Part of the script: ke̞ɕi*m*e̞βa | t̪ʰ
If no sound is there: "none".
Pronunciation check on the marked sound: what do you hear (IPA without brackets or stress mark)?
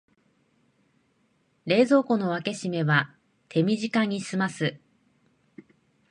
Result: m